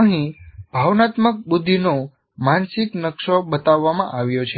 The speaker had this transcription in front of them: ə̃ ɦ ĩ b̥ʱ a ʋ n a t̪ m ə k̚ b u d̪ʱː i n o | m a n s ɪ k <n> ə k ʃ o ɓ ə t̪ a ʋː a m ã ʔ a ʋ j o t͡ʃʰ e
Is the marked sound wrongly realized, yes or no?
no